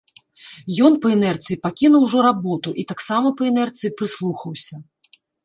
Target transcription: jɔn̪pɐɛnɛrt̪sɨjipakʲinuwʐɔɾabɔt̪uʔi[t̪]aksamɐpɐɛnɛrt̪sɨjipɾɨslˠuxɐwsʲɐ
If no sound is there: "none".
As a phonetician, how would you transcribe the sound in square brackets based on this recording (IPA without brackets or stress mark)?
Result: t̪